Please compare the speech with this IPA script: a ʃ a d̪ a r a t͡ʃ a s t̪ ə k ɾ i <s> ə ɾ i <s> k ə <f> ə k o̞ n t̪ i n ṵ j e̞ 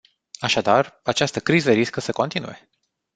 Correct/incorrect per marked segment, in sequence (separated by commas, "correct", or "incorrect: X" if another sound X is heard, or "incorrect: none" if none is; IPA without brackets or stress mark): incorrect: z, correct, incorrect: s